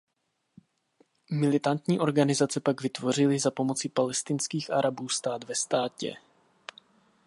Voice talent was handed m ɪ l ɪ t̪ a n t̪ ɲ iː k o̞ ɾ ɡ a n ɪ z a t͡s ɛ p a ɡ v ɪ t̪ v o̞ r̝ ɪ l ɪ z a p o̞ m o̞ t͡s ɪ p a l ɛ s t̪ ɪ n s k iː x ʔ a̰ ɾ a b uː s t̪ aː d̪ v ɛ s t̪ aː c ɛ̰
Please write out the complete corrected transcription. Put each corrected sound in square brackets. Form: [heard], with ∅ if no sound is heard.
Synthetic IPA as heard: m ɪ l ɪ t̪ a n t̪ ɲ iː [ʔ] o̞ ɾ ɡ a n ɪ z a t͡s ɛ p a ɡ v ɪ t̪ v o̞ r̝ ɪ l ɪ z a p o̞ m o̞ t͡s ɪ p a l ɛ s t̪ ɪ n s k iː x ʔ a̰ ɾ a b uː s t̪ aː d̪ v ɛ s t̪ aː c ɛ̰